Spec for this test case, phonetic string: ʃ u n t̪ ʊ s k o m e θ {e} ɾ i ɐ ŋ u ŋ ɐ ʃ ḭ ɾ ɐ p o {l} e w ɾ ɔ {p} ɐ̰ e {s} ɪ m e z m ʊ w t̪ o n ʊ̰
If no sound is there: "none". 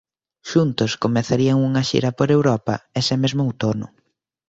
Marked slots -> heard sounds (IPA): a, ɾ, p, s

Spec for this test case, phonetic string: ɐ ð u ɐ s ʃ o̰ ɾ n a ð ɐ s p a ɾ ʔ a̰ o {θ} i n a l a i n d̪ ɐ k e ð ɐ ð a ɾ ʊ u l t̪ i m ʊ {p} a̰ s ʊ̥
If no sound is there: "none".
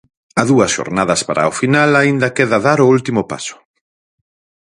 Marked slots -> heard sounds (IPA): f, p

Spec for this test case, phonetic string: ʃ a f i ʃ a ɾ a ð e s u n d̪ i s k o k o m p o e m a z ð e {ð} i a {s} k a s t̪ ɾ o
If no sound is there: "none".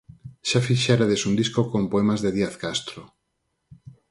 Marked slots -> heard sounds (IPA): ð, θ

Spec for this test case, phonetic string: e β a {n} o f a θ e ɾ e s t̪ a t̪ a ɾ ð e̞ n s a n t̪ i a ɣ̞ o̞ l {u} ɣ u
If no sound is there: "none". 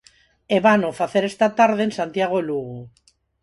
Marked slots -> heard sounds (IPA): n, u

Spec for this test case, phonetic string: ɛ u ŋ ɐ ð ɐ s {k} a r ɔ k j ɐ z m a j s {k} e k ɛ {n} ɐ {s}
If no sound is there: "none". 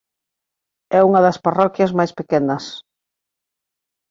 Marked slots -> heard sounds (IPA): p, p, n, s

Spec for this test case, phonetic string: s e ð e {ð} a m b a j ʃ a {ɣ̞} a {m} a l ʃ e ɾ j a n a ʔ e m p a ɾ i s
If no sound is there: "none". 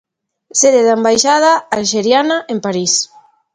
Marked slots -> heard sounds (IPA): ð, ð̞, none

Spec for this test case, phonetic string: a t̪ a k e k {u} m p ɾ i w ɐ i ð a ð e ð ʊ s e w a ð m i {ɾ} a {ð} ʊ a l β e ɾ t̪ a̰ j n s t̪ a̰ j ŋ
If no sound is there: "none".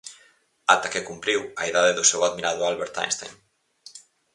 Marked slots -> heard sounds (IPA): u, ɾ, ð

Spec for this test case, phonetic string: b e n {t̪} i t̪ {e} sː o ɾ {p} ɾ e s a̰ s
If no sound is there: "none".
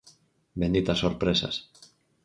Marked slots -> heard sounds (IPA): d̪, a, p

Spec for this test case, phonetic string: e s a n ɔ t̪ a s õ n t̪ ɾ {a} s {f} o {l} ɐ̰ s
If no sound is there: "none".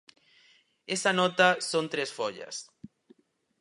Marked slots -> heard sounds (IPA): e, f, ʎ

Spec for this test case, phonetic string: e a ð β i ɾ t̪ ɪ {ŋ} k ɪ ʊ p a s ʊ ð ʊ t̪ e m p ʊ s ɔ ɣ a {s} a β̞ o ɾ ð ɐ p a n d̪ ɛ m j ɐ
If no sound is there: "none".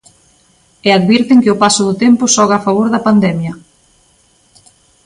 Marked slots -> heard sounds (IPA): ŋ, f

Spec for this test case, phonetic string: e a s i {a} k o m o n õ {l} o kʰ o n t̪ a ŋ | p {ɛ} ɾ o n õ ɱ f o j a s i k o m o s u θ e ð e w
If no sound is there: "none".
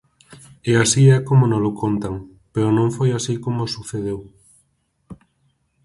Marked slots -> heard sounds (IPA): ɛ, l, e

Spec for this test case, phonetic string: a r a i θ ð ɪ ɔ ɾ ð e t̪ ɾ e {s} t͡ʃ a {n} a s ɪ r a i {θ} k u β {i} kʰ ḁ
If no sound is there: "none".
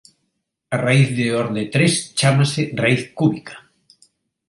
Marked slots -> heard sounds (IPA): s, m, θ, i

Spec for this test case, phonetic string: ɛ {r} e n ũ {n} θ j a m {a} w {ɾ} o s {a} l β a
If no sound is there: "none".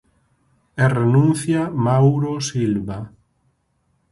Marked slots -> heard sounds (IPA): r, n, a, ɾ, i

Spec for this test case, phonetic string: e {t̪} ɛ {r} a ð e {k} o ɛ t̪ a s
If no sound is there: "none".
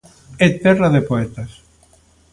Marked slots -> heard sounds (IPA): t̪, r, p

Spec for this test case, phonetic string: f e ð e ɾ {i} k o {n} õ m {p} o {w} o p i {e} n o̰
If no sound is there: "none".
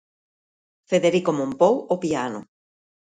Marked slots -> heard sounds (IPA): i, m, p, w, a

